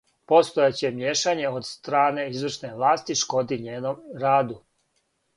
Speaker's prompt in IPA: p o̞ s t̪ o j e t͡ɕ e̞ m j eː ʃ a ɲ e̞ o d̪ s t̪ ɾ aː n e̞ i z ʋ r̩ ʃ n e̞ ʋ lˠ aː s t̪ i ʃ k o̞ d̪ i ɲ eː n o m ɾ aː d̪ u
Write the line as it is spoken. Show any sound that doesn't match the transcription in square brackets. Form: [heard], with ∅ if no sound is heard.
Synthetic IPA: p o̞ s t̪ o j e t͡ɕ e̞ m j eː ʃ a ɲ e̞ o d̪ s t̪ ɾ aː n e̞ i z ʋ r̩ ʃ n e̞ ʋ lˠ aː s t̪ i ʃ k o̞ d̪ i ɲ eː n o m ɾ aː d̪ u